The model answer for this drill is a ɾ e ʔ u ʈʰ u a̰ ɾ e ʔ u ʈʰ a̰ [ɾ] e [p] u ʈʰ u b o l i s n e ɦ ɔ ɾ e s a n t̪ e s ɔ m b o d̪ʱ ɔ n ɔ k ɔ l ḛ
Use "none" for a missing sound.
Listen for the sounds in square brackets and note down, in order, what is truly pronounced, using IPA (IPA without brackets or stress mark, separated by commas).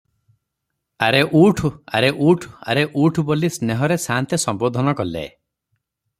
ɾ, ʔ